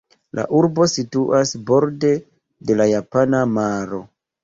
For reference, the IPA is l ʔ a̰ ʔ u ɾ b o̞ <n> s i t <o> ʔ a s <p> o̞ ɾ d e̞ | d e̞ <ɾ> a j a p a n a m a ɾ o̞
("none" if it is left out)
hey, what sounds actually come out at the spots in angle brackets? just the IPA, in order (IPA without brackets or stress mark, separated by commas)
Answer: none, u, b, l